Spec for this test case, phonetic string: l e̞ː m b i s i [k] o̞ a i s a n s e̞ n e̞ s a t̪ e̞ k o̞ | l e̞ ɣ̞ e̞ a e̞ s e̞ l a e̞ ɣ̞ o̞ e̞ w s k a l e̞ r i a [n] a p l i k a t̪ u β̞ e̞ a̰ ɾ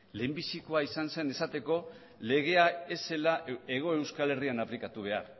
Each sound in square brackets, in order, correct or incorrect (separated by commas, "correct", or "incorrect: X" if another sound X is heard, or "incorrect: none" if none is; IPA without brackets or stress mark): correct, correct